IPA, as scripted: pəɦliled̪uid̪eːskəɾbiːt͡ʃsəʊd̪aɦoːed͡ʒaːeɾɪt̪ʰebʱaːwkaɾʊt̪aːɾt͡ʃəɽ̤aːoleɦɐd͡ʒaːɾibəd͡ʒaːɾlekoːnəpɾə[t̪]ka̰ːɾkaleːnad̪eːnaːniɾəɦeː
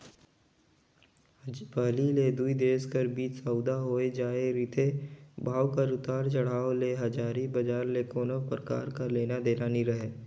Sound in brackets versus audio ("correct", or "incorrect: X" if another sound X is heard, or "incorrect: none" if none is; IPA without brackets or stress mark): incorrect: none